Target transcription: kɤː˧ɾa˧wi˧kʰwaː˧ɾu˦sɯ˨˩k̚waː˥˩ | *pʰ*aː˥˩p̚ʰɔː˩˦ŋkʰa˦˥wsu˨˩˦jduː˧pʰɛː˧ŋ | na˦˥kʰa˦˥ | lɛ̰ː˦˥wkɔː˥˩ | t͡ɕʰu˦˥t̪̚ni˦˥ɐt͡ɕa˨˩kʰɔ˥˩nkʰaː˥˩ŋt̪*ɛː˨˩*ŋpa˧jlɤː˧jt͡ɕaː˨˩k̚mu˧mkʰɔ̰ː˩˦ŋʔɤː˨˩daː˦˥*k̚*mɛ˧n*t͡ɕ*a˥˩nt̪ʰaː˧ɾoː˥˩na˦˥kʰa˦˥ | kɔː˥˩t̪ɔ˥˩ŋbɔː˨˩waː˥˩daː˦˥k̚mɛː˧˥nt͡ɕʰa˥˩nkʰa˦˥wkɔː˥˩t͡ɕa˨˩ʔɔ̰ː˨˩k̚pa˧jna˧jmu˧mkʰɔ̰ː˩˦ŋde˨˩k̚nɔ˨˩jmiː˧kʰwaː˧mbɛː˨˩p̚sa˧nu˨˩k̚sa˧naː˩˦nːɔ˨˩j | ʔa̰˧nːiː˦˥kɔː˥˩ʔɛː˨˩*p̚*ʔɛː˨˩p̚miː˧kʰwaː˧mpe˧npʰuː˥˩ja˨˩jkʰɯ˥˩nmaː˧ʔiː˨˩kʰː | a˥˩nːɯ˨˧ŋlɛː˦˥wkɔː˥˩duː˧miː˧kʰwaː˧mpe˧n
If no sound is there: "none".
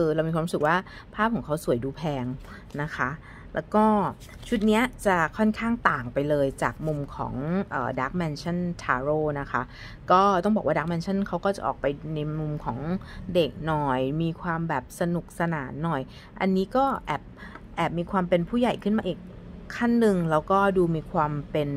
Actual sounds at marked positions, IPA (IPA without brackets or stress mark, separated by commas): pʰ, aː˨˩, k̚, t͡ɕʰ, p̚